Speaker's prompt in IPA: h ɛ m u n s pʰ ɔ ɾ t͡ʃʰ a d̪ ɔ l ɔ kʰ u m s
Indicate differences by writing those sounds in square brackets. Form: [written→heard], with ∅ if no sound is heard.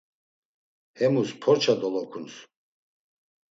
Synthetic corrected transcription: h ɛ m u [n→∅] s pʰ ɔ ɾ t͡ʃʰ a d̪ ɔ l ɔ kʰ u [m→n] s